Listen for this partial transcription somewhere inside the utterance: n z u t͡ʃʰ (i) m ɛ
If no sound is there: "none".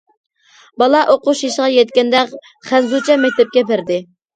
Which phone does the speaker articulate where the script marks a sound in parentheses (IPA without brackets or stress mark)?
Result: ɛ